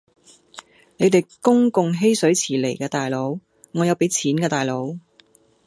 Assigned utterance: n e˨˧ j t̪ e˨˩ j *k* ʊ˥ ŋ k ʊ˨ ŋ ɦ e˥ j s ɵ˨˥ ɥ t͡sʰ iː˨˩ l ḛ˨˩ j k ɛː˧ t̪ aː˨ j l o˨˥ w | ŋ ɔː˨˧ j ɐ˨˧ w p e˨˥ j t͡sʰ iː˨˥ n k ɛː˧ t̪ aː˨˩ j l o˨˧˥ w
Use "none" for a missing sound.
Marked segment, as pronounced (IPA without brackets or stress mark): k